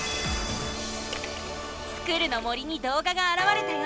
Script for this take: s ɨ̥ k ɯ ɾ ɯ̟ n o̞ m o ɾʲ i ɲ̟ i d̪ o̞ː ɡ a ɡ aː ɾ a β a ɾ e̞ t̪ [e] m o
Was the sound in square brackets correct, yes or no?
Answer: yes